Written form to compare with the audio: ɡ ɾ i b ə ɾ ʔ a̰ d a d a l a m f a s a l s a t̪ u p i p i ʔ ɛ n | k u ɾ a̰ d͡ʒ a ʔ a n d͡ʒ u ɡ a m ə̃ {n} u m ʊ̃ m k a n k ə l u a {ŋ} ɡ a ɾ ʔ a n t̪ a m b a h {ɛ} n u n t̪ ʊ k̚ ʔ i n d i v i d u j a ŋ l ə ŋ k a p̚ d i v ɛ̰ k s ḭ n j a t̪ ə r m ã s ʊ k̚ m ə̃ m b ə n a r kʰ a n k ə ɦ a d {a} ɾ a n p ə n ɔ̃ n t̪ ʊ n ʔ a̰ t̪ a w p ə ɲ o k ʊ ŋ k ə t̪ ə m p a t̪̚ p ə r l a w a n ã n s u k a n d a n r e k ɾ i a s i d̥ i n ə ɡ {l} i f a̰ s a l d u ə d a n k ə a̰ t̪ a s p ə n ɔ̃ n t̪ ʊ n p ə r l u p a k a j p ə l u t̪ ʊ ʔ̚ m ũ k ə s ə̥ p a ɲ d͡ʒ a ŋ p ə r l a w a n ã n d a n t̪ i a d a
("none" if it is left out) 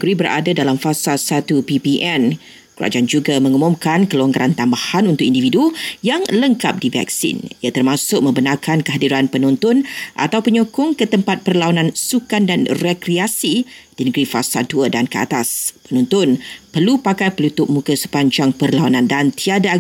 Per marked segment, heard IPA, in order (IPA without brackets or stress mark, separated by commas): ŋ, ŋ, a, i, ɾ